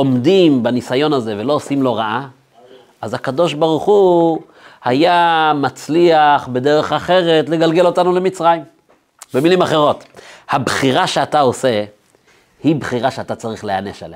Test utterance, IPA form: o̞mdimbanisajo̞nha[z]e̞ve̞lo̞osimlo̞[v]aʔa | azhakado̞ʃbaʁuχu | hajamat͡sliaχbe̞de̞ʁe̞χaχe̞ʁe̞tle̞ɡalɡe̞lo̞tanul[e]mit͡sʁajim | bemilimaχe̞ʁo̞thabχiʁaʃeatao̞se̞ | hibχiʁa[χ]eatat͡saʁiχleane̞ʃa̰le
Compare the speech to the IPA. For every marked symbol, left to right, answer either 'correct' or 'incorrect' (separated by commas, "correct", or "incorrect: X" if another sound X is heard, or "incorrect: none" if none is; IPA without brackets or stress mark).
correct, incorrect: ʁ, correct, incorrect: ʃ